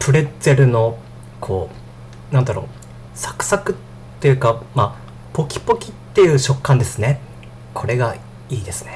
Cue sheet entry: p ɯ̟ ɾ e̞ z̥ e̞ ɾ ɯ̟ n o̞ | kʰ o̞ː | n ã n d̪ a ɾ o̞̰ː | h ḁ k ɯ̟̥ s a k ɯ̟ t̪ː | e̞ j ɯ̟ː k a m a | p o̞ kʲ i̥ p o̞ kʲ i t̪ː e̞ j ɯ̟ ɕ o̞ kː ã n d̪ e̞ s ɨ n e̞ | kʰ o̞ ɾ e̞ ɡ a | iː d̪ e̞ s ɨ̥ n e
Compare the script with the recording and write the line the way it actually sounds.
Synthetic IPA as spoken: p ɯ̟ ɾ e̞ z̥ e̞ ɾ ɯ̟ n o̞ | kʰ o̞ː | n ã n d̪ a ɾ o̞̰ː | s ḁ k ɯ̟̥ s a k ɯ̟ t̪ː | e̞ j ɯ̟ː k a m a | p o̞ kʲ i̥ p o̞ kʲ i t̪ː e̞ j ɯ̟ː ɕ o̞ kː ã n d̪ e̞ s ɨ n e̞ | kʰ o̞ ɾ e̞ ɡ a | iː d̪ e̞ s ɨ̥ n e